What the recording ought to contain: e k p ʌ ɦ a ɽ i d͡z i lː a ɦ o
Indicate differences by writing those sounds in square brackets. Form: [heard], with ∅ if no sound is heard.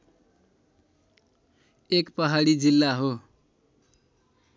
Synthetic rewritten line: e k p ʌ ɦ a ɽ i d͡z i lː a ɦ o